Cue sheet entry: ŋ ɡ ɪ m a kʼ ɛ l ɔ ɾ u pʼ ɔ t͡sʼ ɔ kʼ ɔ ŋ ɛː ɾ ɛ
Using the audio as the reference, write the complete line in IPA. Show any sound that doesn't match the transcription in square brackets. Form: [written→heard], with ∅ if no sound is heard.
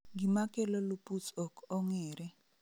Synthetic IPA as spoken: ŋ ɡ [ɪ→i] m a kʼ ɛ l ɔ [ɾ→l] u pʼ [ɔ→u] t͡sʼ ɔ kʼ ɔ ŋ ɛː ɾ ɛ